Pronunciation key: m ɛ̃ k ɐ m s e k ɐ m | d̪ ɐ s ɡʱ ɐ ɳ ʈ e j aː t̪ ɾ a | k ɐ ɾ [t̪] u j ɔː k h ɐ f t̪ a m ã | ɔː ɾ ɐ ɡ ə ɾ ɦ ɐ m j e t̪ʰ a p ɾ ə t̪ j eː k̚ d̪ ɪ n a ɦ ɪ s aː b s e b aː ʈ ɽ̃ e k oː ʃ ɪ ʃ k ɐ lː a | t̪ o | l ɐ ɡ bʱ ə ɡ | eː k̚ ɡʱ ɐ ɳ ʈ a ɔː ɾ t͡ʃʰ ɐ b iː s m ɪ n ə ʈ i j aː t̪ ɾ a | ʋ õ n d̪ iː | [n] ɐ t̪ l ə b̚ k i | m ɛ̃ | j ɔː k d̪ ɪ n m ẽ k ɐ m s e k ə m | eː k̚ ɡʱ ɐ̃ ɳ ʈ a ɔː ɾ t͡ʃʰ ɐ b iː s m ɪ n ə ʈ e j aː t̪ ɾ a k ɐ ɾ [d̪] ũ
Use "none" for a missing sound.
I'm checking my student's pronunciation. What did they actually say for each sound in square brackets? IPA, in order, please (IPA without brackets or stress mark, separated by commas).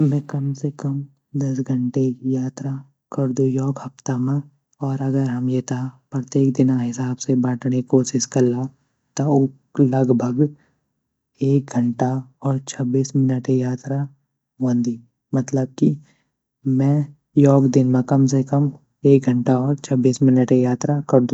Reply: d̪, m, d̪